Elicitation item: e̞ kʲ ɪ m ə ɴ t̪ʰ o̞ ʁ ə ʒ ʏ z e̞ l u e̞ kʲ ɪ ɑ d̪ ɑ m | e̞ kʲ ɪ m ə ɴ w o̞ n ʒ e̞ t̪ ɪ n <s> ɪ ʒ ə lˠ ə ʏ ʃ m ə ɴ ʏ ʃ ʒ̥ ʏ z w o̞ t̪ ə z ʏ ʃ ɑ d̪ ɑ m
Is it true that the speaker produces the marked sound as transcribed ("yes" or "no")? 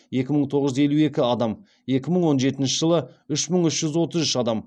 no